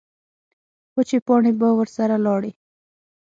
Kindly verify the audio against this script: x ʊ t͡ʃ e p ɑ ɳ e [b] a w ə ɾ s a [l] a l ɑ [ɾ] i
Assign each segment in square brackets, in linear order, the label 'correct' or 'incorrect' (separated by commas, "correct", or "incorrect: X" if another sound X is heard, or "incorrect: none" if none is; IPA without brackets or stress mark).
correct, incorrect: ɾ, incorrect: ɽ